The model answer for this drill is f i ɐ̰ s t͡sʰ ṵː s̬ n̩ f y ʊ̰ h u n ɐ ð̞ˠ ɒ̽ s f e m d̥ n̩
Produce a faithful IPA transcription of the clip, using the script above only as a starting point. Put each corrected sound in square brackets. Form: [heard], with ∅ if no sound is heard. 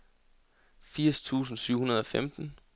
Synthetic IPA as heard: f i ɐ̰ s t͡sʰ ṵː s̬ n̩ [s] y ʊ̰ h u n ɐ ð̞ˠ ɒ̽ [∅] f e m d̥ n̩